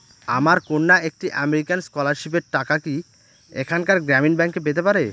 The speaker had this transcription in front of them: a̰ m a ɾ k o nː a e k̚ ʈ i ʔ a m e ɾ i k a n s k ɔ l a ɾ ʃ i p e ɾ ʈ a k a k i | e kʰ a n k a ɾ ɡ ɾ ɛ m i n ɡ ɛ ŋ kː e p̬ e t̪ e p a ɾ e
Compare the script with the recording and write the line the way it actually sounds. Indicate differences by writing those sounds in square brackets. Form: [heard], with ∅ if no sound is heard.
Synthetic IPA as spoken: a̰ m a ɾ k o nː a e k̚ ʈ i ʔ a m e ɾ i k a n s k ɔ l a ɾ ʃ i p e ɾ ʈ a k a k i | e kʰ a n k a ɾ ɡ ɾ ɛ m i n [b] ɛ ŋ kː e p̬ e t̪ e p a ɾ e